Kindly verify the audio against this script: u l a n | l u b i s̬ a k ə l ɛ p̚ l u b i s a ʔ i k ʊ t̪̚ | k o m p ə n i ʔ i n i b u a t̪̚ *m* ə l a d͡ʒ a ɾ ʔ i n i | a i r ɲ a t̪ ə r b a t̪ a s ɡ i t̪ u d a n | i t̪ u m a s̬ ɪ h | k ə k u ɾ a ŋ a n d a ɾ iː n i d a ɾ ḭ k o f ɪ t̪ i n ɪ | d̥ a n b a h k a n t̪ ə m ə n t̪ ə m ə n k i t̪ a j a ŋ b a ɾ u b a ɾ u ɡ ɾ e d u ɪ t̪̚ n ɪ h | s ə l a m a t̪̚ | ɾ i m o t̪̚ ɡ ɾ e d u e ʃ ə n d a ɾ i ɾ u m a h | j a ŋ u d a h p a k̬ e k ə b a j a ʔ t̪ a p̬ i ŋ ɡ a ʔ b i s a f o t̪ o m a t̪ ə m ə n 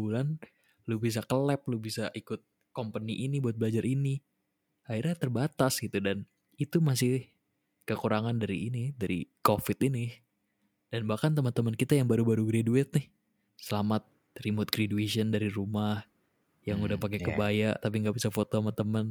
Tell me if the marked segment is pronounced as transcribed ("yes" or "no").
no